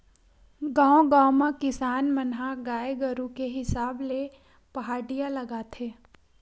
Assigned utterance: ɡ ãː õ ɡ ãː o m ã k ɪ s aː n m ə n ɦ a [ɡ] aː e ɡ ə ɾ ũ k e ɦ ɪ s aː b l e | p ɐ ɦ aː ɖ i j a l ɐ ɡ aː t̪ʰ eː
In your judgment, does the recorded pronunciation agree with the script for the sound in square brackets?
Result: yes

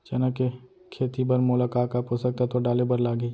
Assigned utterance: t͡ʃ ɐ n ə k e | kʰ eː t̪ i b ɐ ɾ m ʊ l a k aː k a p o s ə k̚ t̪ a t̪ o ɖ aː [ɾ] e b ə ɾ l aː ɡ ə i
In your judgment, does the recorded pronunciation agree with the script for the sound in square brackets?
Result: no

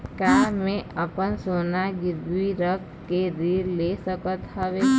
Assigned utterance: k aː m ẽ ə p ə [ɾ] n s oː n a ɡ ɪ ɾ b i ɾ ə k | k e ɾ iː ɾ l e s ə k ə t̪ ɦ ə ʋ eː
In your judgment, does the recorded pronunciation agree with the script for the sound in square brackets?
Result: no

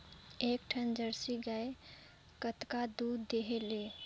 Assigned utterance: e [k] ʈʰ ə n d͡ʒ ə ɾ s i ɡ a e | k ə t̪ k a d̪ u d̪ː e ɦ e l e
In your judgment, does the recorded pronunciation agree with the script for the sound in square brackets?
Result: yes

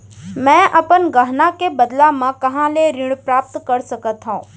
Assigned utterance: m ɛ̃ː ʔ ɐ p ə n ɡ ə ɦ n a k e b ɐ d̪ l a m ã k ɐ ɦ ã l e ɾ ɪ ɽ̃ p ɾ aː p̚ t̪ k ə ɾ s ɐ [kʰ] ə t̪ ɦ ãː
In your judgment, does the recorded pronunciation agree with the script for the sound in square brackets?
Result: no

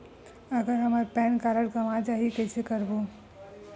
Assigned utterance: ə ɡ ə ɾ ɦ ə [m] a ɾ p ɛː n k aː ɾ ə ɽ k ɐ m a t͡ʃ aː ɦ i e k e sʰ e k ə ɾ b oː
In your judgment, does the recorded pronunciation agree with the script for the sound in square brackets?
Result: yes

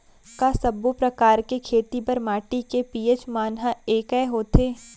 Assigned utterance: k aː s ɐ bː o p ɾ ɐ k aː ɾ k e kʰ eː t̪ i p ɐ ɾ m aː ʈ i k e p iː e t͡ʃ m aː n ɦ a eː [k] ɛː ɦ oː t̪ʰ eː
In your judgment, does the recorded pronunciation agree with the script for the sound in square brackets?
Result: yes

